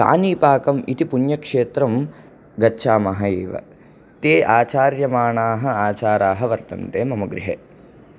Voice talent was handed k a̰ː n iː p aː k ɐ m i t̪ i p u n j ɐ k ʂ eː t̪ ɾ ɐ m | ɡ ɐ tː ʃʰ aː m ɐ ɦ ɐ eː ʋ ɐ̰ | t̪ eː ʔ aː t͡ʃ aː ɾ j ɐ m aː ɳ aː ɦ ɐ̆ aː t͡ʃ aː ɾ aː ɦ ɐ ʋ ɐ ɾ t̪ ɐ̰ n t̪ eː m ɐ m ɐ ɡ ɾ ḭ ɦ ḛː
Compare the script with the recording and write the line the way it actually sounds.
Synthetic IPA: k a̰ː n iː p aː k ɐ m i t̪ i p u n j ɐ k ʂ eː t̪ ɾ ɐ m | ɡ ɐ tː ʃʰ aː m ɐ ɦ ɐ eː ʋ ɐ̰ | t̪ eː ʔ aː t͡ʃ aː ɾ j ɐ m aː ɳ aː ɦ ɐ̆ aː t͡ʃ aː ɾ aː ɦ ɐ ʋ ɐ ɾ t̪ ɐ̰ n t̪ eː m ɐ m ɐ ɡ ɾ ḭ ɦ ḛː